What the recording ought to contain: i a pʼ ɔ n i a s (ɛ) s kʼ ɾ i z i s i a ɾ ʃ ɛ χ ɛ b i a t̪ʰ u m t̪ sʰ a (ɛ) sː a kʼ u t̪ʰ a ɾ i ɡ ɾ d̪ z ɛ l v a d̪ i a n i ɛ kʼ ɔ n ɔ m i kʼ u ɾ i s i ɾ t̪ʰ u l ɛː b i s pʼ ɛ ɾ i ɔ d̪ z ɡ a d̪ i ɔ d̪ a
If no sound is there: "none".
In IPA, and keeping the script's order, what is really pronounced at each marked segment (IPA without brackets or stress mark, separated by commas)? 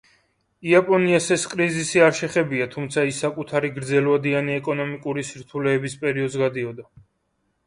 ɛ, i